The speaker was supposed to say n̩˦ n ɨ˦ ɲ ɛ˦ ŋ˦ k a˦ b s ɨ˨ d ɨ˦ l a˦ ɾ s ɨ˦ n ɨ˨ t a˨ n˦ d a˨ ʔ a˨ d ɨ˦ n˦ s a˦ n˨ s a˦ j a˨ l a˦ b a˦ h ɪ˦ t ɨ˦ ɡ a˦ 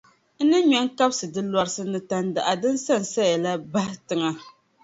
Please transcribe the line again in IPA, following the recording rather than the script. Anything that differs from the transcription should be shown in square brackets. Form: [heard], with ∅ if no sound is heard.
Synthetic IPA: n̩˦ n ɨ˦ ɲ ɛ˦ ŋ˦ k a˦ b s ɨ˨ d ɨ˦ l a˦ ɾ s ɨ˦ n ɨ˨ t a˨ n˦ d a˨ ʔ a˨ d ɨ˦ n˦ s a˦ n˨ s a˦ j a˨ l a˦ b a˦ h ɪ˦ t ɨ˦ [ŋ] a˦